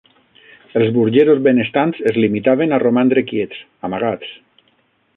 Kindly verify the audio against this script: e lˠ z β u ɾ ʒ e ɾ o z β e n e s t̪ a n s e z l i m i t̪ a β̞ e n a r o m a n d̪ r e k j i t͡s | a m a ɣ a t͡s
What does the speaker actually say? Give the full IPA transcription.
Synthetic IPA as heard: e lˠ z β u ɾ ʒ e ɾ o z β e n e s t̪ a n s e z l i m i t̪ a β̞ e n a r o m a n d̪ ɾ e k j e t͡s | a m a ɣ a t͡s